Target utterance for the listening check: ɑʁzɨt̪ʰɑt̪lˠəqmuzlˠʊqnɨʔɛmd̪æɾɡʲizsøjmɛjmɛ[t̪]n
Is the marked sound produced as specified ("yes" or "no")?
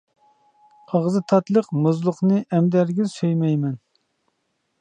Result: no